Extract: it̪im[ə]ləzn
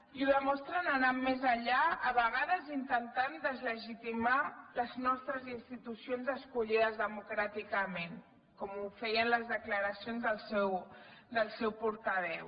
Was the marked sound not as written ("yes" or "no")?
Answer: yes